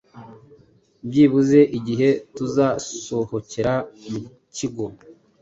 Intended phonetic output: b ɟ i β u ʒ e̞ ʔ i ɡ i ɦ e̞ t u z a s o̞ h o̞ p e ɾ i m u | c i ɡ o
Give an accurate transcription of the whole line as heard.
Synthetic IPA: b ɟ i β u z e̞ ʔ i ɟ i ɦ e̞ t u z a s o̞ h o̞ c e ɾ a m u | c i ɡ o